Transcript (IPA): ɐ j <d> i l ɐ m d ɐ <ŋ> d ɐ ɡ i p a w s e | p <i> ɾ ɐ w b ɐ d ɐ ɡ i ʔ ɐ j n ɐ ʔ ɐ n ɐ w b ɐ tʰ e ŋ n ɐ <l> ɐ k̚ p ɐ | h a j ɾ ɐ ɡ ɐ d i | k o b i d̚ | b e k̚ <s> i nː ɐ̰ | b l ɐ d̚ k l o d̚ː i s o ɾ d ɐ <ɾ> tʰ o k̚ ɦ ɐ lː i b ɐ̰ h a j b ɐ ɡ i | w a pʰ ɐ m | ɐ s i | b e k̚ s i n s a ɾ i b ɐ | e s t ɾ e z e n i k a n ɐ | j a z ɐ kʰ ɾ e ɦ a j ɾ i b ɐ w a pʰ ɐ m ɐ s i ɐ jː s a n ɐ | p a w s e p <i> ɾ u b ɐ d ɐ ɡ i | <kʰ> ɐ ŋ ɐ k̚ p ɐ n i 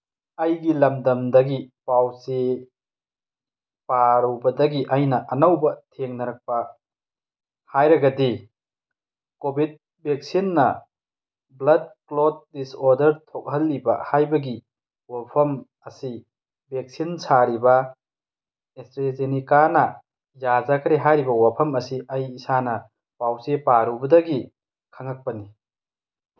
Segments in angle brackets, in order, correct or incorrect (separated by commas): incorrect, incorrect, incorrect, incorrect, correct, correct, incorrect, correct